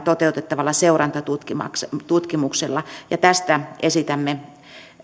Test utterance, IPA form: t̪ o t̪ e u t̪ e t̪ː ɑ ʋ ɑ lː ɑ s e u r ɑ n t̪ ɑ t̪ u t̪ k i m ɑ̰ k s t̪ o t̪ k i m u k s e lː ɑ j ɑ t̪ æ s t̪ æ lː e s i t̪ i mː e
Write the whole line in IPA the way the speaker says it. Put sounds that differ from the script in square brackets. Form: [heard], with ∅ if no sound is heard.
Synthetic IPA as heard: t̪ o t̪ e u t̪ e t̪ː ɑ ʋ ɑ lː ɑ s e u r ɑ n t̪ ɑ t̪ u t̪ k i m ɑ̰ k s t̪ [u] t̪ k i m u k s e lː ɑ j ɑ t̪ æ s t̪ æ [∅] e s i t̪ [æ] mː e